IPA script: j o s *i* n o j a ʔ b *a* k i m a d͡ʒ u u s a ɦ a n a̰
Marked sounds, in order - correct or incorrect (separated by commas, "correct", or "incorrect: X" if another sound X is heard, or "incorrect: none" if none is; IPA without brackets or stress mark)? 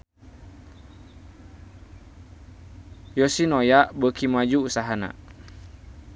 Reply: correct, incorrect: ə